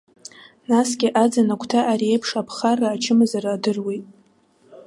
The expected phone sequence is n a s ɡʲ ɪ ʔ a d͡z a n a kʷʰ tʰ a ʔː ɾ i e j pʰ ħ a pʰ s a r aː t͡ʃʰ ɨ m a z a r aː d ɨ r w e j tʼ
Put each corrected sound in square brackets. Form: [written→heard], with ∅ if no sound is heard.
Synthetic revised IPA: n a s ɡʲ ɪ ʔ a d͡z a n a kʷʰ tʰ a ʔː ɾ i e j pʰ [ħ→ʂ] a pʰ [s→χ] a r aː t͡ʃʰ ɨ m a z a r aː d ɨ r w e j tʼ